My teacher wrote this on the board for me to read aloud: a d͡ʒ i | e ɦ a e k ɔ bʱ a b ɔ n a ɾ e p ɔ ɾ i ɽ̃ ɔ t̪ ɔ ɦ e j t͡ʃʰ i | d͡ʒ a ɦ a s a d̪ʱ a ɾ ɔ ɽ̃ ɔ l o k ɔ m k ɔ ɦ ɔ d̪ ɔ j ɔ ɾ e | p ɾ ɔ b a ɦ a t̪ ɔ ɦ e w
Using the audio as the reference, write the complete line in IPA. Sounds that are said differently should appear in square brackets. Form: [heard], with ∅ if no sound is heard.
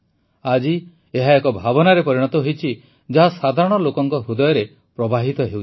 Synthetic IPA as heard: a d͡ʒ i | e ɦ a e k ɔ bʱ a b ɔ n a ɾ e p ɔ ɾ i ɽ̃ ɔ t̪ ɔ ɦ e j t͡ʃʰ i | d͡ʒ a ɦ a s a d̪ʱ a ɾ ɔ ɽ̃ ɔ l o k ɔ [ŋ] k ɔ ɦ [u] d̪ ɔ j ɔ ɾ e | p ɾ ɔ b a ɦ [i] t̪ ɔ ɦ e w